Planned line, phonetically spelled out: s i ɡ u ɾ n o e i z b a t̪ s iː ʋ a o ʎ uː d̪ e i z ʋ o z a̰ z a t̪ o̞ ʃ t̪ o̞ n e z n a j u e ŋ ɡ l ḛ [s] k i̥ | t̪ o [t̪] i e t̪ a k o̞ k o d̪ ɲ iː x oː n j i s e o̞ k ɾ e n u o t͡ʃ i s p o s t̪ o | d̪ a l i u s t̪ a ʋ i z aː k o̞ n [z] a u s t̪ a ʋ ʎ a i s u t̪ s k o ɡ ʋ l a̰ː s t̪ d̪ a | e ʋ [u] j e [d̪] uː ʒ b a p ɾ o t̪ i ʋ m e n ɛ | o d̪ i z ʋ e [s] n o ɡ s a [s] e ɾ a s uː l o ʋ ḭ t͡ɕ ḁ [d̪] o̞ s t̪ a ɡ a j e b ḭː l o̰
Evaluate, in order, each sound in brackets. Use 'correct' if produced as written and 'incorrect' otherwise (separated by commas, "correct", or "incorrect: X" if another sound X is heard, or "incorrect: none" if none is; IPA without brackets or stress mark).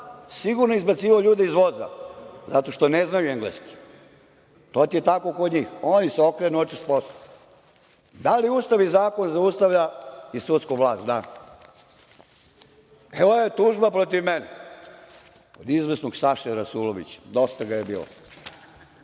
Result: correct, correct, correct, incorrect: o, incorrect: t̪, correct, incorrect: ʃ, correct